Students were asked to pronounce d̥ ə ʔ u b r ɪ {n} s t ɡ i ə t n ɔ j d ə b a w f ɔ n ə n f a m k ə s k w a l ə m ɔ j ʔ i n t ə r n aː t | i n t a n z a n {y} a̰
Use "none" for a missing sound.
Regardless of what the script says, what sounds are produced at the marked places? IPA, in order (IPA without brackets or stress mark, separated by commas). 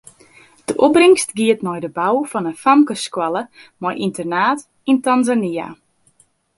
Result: ŋ, i